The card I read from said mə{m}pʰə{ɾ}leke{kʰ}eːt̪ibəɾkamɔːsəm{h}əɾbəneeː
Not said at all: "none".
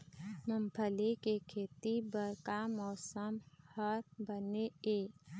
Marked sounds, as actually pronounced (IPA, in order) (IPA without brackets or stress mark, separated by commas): m, none, kʰ, h